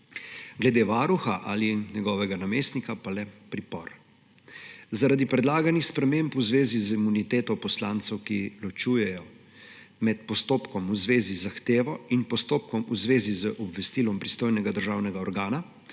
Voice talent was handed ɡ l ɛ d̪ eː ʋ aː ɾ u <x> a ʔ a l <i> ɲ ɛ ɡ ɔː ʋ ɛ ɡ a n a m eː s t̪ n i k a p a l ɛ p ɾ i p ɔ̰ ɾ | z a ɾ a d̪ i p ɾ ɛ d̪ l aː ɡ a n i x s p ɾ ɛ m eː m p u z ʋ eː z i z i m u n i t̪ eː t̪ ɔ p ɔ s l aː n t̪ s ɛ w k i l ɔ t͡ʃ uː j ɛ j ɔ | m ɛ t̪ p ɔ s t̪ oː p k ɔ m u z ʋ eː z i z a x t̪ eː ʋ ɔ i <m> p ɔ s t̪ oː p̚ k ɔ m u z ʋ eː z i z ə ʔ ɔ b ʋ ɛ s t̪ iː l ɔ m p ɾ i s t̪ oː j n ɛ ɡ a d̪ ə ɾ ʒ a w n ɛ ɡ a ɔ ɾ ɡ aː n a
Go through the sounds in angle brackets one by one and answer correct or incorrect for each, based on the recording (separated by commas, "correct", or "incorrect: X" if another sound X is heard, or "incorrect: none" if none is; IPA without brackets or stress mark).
correct, correct, incorrect: n